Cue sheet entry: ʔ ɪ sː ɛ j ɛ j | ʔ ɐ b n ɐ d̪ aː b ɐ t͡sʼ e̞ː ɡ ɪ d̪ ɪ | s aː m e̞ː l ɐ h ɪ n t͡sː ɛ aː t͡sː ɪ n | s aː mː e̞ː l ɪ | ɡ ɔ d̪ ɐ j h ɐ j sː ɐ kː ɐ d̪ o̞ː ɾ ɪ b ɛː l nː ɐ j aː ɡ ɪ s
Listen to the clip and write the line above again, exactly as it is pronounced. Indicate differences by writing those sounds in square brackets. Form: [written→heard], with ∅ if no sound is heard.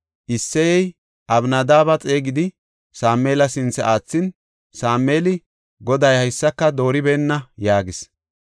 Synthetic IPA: ʔ ɪ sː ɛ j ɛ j | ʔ ɐ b n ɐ d̪ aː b ɐ t͡sʼ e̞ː ɡ ɪ d̪ ɪ | s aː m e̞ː l ɐ [h→s] ɪ n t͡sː ɛ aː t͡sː ɪ n | s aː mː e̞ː l ɪ | ɡ ɔ d̪ ɐ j h ɐ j sː ɐ kː ɐ d̪ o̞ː ɾ ɪ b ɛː [l→∅] nː ɐ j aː ɡ ɪ s